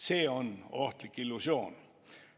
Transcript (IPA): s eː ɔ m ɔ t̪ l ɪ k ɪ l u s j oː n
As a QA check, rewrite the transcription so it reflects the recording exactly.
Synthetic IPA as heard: s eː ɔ n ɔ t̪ l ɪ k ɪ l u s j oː n